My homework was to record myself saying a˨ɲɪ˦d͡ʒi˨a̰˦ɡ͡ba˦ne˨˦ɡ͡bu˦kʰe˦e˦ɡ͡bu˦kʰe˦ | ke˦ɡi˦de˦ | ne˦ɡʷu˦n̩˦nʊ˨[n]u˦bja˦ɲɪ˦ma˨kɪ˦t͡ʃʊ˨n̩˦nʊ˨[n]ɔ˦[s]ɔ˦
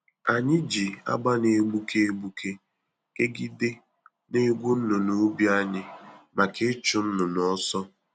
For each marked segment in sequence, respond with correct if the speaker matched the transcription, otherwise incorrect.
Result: correct, correct, correct

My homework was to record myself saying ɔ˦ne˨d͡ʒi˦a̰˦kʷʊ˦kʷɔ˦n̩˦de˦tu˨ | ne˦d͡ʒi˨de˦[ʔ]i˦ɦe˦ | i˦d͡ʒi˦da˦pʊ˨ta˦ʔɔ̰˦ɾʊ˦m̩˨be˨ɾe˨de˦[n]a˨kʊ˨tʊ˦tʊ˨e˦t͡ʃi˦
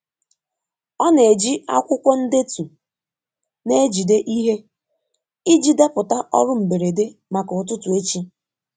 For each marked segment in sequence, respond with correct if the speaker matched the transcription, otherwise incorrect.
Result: correct, incorrect

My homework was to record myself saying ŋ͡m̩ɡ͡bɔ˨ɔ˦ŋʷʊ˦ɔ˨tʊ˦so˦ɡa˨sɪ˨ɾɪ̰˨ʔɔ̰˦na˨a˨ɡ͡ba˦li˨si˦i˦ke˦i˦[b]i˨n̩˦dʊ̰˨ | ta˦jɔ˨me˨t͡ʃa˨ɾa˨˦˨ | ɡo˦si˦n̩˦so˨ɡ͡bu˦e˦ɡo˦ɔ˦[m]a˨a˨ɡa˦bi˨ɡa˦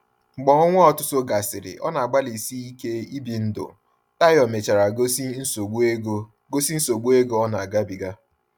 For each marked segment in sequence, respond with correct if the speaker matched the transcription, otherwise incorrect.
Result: correct, incorrect

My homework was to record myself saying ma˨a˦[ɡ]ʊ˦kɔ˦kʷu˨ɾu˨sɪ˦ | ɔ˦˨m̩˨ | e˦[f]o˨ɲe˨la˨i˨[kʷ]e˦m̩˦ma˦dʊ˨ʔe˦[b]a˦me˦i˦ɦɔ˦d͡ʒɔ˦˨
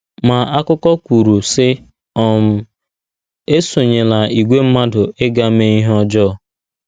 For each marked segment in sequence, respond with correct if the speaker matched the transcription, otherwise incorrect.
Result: incorrect, incorrect, incorrect, incorrect

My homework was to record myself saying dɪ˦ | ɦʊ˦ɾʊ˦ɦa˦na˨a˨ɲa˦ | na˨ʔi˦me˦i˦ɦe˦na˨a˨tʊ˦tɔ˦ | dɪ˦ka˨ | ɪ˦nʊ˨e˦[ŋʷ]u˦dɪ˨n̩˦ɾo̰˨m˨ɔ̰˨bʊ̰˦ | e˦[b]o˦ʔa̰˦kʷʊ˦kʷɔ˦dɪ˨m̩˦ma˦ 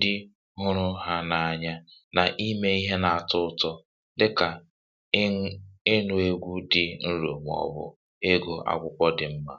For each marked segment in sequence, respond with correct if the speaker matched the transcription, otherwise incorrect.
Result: incorrect, incorrect

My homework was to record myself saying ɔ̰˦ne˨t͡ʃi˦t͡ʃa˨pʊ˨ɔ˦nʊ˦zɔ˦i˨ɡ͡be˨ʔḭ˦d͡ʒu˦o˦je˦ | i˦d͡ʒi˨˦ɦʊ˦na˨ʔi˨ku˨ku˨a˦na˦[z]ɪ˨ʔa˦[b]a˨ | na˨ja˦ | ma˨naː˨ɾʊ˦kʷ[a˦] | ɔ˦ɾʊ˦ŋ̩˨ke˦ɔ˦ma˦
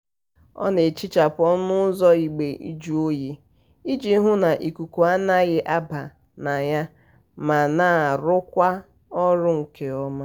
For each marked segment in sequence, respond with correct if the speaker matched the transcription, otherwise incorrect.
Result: incorrect, correct, correct

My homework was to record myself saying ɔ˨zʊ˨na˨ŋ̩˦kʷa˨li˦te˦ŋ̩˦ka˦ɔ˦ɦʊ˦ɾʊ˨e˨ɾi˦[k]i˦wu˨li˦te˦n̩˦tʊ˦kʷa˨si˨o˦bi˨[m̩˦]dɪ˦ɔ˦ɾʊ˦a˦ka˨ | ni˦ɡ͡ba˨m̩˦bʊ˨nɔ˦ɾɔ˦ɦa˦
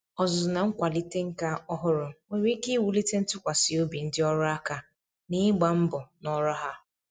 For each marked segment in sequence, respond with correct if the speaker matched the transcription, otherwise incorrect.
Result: correct, incorrect

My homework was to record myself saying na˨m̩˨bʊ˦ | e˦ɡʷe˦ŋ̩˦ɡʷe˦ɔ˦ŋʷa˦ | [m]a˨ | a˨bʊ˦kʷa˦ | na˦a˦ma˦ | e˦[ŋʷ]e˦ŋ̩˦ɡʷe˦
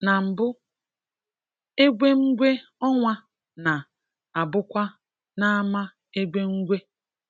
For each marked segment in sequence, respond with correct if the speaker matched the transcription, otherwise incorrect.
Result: incorrect, incorrect

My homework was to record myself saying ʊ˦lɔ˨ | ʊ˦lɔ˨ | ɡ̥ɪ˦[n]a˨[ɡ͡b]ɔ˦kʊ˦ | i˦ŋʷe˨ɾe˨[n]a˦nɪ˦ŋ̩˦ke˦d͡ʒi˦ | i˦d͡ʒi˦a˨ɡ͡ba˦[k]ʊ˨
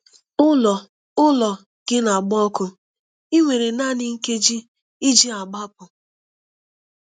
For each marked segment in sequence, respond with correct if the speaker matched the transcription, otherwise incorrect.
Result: correct, correct, correct, incorrect

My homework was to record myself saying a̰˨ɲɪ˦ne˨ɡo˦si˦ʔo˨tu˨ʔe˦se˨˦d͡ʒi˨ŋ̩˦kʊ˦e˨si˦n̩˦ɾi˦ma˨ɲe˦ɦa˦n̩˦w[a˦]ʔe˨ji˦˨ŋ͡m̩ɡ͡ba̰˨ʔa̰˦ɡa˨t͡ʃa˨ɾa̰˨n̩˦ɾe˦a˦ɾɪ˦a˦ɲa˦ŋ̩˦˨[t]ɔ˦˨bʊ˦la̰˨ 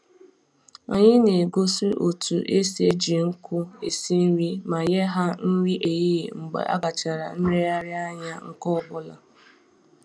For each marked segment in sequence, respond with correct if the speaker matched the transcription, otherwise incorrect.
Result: incorrect, incorrect

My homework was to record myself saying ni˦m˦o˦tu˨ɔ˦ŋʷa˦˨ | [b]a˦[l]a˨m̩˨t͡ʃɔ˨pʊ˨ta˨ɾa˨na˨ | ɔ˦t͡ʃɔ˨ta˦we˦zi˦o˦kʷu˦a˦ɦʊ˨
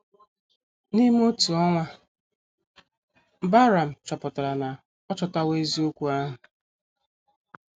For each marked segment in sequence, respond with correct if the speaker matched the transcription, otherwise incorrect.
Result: correct, incorrect

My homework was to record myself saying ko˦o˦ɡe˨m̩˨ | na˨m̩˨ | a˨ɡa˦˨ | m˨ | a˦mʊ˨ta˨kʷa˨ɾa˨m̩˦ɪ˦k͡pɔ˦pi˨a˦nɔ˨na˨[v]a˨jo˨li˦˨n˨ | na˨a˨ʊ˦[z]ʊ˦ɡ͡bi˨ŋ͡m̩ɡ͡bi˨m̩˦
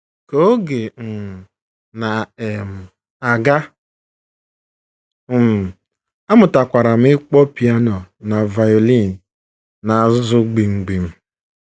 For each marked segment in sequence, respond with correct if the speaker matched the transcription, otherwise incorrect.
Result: correct, correct

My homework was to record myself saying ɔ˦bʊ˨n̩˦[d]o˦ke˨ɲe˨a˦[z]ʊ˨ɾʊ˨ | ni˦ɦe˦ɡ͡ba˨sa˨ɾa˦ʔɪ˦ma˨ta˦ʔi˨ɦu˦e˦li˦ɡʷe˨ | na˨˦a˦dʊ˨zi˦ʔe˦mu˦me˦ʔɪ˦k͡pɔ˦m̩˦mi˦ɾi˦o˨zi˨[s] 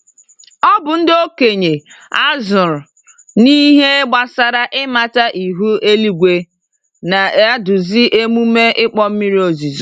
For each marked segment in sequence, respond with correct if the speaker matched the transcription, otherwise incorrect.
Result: correct, correct, incorrect

